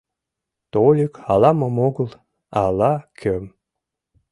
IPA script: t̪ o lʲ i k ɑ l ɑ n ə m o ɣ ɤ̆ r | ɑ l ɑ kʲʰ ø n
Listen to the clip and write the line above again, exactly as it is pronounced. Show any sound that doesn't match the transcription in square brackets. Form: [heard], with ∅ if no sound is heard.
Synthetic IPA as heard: t̪ o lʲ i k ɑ l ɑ [m] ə m o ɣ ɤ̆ [l] | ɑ l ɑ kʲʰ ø [m]